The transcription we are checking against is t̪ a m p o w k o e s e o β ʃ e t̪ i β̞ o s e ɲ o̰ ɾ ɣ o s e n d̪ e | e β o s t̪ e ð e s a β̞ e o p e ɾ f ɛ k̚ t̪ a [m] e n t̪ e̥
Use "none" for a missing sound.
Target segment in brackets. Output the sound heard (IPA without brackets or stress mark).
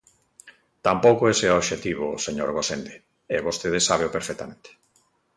m